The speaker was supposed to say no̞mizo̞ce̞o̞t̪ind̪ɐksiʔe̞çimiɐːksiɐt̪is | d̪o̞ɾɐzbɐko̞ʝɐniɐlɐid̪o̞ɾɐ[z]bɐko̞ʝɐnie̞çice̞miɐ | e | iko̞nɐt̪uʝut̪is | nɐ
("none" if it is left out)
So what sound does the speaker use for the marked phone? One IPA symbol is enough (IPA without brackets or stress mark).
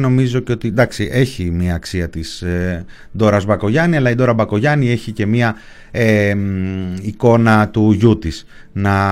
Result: none